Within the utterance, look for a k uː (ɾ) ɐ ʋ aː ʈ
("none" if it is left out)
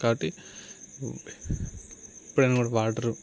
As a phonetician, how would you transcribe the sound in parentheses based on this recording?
ɽ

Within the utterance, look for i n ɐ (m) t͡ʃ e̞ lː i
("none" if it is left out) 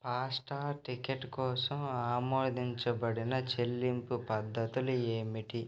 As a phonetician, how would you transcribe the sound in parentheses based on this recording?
none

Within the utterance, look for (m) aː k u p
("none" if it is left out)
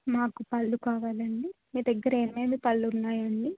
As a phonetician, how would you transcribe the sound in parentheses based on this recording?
m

